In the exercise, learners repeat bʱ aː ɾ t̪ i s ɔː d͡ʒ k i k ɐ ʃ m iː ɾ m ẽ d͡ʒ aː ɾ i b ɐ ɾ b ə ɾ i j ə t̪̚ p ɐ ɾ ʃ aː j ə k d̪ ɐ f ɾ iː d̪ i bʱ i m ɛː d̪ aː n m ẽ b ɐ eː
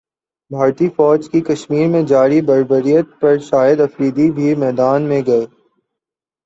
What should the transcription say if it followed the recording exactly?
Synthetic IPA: bʱ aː ɾ t̪ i f ɔː d͡ʒ k i k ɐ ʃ m iː ɾ m ẽ d͡ʒ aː ɾ i b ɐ ɾ b ə ɾ i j ə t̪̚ p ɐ ɾ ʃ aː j ə d̪ ɐ f ɾ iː d̪ i bʱ i m ɛː d̪ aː n m ẽ ɡ ɐ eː